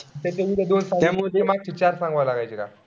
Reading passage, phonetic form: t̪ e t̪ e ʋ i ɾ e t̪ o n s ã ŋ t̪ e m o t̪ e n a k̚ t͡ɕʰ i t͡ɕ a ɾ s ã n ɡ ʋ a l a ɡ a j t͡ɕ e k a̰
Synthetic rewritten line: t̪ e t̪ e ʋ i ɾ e d̪ o n s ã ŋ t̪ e m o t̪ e m a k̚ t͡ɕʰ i t͡ɕ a ɾ s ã ŋ ɡ ʋ a l a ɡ a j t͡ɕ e k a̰

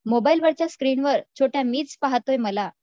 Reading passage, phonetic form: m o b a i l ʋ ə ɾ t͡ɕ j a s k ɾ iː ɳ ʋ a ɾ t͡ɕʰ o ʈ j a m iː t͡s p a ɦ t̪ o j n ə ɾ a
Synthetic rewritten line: m o b a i l ʋ ə ɾ t͡ɕ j a s k ɾ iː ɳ ʋ ə ɾ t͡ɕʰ o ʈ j a m iː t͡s p a ɦ t̪ o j m ə l a

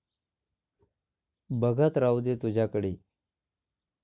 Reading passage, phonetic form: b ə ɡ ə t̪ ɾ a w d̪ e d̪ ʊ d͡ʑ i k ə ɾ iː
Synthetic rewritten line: b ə ɡ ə t̪ ɾ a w d̪ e t̪ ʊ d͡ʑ a k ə ɽ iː

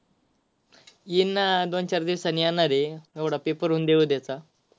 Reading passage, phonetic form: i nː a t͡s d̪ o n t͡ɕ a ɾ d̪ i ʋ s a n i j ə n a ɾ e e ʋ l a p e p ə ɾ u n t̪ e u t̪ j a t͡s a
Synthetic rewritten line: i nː a d̪ o n t͡ɕ a ɾ d̪ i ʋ s a n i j a n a ɾ e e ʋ ɽ a p e p ə ɾ u n d̪ e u d̪ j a t͡s a

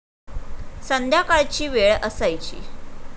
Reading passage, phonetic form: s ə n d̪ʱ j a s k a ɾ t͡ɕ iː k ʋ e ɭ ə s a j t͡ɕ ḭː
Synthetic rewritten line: s ə n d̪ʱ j a k a ɭ t͡ɕ iː ʋ e ɭ ə s a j t͡ɕ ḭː

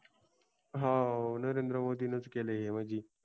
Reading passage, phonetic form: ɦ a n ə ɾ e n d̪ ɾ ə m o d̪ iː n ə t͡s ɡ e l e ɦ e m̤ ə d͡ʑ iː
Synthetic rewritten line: ɦ a n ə ɾ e n d̪ ɾ ə m o d̪ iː n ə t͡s k e l e ɦ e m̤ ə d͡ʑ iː

